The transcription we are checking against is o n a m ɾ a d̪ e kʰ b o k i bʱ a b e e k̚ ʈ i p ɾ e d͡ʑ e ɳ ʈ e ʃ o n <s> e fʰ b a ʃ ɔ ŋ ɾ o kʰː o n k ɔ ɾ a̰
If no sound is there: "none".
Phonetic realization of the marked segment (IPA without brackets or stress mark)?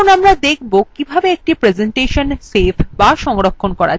s